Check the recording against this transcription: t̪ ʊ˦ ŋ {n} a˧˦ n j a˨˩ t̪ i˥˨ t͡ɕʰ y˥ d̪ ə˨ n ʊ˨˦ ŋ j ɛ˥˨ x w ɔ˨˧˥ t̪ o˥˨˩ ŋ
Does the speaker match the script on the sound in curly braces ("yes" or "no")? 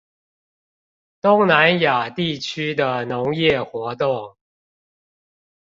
yes